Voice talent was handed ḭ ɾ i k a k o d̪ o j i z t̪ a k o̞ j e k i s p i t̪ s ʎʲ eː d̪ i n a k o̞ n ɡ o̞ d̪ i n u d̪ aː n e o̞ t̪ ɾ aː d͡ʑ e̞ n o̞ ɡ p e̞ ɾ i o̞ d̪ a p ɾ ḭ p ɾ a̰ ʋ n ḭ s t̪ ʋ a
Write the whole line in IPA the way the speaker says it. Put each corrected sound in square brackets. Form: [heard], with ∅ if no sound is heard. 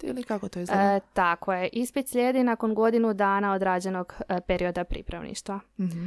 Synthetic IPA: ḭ [l] i k a k o [t̪] o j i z t̪ a k o̞ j e [ʔ] i s p i t̪ s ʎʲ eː d̪ i n a k o̞ n ɡ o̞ d̪ i n u d̪ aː n [a] o̞ [d̪] ɾ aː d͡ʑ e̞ n o̞ ɡ p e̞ ɾ i o̞ d̪ a p ɾ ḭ p ɾ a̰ ʋ n ḭ [ʃ] t̪ ʋ a